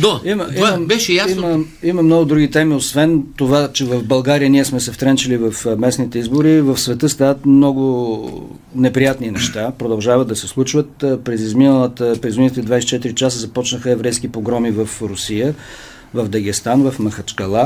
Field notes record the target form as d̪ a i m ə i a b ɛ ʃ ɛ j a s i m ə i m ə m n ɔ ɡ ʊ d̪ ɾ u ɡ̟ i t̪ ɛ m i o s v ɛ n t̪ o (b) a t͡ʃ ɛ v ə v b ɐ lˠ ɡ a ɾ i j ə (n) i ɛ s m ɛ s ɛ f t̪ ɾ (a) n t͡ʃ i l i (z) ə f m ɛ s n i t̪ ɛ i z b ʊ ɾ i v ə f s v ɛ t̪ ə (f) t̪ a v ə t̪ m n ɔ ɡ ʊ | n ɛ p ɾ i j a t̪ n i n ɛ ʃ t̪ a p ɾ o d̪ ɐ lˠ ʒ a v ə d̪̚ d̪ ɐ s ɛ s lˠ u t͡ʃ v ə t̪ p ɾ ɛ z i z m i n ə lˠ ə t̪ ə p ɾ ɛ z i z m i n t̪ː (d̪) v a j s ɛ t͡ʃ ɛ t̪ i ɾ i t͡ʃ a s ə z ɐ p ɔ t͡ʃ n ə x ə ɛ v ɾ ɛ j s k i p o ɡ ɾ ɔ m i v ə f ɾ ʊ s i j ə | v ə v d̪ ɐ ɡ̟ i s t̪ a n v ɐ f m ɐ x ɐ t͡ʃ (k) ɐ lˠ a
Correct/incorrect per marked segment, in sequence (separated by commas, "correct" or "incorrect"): incorrect, correct, incorrect, incorrect, incorrect, correct, correct